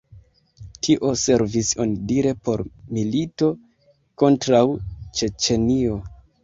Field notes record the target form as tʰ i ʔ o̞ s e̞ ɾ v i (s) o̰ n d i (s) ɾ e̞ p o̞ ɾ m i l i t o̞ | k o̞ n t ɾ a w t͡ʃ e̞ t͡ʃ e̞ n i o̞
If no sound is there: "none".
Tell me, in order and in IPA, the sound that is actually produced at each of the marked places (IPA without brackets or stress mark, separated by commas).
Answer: s, none